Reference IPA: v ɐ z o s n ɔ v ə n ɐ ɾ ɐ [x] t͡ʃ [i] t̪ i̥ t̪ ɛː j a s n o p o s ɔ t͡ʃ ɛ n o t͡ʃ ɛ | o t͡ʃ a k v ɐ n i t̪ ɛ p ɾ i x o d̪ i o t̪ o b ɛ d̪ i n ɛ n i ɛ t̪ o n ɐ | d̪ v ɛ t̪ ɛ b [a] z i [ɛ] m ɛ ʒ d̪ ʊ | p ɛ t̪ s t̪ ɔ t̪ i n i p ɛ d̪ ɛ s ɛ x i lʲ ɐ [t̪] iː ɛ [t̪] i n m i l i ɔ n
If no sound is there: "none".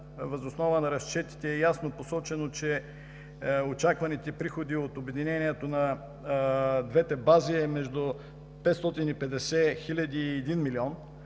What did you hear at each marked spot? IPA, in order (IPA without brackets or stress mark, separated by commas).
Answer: s, ɛ, a, ɛ, d̪, d̪